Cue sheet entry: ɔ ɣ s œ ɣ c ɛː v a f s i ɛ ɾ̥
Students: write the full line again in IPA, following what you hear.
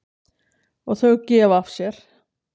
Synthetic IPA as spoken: ɔ ɣ θ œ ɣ c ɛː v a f s j ɛ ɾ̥